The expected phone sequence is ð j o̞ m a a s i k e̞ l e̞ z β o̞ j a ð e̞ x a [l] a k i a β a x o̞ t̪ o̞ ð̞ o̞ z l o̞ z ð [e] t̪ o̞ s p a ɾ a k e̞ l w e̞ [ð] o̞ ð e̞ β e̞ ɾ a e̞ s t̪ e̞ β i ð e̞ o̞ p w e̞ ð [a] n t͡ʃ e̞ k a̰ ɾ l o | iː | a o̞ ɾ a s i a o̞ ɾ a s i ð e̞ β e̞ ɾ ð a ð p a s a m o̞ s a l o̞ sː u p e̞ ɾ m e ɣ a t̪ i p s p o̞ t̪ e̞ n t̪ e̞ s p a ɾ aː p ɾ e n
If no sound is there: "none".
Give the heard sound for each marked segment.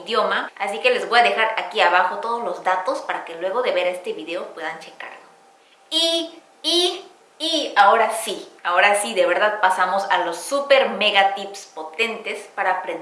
ɾ, a, ɣ, a

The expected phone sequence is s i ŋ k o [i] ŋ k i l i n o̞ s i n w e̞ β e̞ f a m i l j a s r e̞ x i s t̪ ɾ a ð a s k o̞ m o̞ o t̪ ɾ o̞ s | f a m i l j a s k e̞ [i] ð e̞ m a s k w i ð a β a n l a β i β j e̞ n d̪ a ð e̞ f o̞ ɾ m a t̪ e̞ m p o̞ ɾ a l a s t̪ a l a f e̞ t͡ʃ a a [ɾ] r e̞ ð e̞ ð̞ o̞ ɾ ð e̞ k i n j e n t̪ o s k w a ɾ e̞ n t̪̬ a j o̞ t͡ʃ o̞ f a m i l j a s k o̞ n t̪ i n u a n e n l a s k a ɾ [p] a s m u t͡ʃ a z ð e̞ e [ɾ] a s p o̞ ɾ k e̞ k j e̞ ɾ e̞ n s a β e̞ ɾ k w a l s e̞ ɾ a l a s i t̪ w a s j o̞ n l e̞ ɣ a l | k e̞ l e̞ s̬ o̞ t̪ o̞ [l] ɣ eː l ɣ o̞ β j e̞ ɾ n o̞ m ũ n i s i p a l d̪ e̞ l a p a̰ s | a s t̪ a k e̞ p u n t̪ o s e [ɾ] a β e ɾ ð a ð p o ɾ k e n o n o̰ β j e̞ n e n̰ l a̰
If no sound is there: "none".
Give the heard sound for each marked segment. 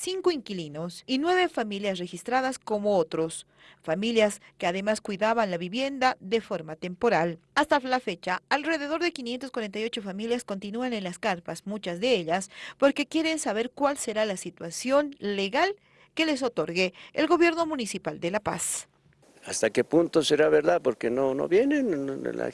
i, a, l, p, ʎ, ɾ, ɾ

